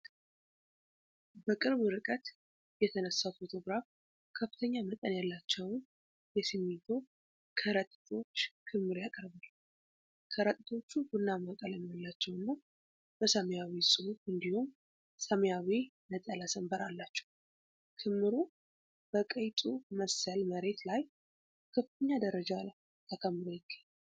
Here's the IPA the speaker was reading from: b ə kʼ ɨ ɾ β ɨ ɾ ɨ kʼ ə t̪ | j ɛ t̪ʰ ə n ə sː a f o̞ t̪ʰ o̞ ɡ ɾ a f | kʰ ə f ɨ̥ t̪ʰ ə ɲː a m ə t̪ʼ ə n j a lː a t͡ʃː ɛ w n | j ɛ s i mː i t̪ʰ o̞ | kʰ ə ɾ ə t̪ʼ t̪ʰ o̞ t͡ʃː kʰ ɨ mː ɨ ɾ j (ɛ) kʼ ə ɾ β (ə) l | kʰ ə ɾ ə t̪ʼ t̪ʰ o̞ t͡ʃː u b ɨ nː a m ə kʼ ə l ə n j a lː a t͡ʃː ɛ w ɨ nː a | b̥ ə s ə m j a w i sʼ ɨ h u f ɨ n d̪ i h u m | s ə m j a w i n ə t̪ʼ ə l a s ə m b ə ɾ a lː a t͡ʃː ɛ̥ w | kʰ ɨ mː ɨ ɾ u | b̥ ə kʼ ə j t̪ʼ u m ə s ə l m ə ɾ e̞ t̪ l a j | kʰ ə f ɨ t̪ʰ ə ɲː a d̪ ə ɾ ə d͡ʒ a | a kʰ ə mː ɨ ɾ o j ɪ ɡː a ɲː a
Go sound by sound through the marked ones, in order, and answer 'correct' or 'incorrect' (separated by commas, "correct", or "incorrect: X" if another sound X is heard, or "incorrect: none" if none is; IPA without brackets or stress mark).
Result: incorrect: a, incorrect: a